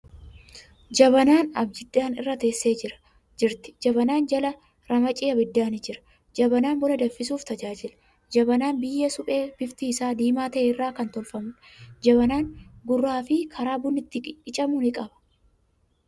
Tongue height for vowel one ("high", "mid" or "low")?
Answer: low